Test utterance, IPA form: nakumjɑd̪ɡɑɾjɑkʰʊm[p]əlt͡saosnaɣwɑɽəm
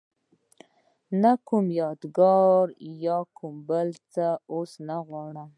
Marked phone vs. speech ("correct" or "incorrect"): incorrect